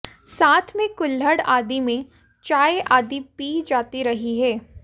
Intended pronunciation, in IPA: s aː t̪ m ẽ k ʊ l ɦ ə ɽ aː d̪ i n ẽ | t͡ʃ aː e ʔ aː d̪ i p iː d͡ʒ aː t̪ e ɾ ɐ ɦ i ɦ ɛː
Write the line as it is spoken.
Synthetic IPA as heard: s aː t̪ʰ m ẽ k ʊ l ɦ ə ɽ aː d̪ i m ẽ | t͡ʃ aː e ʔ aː d̪ i p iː d͡ʒ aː t̪ i ɾ ɐ ɦ i ɦ ɛː